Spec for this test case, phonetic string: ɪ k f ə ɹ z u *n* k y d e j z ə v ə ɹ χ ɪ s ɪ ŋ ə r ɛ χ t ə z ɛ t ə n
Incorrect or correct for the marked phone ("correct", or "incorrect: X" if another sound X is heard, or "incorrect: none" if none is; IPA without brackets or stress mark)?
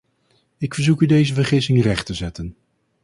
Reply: incorrect: none